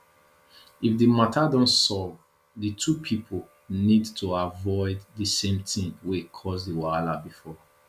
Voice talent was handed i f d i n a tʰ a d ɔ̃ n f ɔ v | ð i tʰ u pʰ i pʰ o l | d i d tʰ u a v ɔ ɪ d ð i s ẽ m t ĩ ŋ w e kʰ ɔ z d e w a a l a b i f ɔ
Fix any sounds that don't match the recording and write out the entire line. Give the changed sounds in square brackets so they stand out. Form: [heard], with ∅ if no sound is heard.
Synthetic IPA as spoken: i f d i [m] a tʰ a d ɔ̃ n [s] ɔ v | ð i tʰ u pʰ i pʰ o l | [n] i d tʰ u a v ɔ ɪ d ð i s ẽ m t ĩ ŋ w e kʰ ɔ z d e w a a l a b i f ɔ